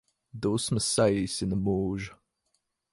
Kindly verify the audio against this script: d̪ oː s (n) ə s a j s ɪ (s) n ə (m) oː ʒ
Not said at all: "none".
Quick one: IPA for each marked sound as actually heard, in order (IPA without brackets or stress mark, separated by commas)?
m, none, m